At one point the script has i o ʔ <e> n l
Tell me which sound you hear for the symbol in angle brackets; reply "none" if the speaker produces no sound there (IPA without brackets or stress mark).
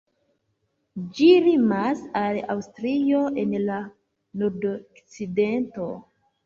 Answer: e